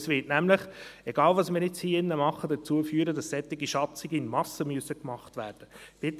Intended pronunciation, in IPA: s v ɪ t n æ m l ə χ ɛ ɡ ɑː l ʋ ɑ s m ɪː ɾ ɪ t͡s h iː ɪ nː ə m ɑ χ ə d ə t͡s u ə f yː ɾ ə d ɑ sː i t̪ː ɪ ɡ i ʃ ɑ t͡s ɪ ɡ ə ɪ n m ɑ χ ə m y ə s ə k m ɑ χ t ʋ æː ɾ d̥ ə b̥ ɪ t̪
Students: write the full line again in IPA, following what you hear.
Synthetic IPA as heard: s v ɪ t n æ m l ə χ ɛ ɡ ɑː l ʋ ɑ s m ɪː ɾ ɪ t͡s h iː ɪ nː ə m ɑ χ ə d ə t͡s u ə f yː ɾ ə d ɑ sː ɛ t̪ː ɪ ɡ i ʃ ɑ t͡s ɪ ɡ ə ɪ n m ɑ s ə m y ə s ə k m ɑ χ t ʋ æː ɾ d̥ ə b̥ ɪ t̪